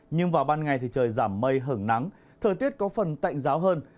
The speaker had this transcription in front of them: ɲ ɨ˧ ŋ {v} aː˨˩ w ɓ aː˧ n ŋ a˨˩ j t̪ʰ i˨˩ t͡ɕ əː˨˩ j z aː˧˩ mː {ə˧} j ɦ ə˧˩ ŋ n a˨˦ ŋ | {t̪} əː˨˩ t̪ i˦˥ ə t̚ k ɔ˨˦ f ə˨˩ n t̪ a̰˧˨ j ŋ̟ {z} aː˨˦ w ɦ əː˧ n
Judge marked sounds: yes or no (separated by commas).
yes, yes, no, yes